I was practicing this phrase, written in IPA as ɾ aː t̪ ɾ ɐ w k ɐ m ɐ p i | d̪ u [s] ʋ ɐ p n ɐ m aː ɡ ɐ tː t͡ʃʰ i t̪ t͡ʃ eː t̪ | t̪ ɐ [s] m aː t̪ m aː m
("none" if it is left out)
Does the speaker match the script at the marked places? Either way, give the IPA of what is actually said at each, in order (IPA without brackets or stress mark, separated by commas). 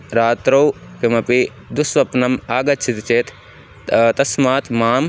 s, s